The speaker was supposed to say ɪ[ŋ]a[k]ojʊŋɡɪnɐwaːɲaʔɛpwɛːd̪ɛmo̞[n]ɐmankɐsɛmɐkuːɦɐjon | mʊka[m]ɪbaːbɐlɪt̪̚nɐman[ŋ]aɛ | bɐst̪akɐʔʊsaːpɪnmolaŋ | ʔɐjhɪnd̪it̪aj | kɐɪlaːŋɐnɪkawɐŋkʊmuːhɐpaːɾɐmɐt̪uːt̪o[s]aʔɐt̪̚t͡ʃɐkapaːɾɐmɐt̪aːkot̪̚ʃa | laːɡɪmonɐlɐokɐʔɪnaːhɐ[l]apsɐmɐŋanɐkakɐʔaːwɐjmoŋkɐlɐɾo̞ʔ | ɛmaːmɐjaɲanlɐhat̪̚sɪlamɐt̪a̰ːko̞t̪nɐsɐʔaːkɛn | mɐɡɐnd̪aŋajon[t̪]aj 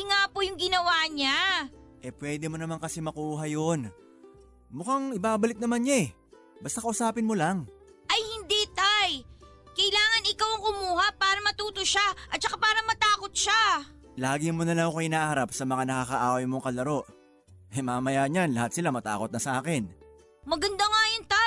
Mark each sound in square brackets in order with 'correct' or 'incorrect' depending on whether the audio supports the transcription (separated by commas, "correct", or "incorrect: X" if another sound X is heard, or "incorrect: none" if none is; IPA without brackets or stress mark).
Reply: correct, incorrect: p, correct, incorrect: ŋ, incorrect: ɲ, incorrect: ʃ, incorrect: ɾ, correct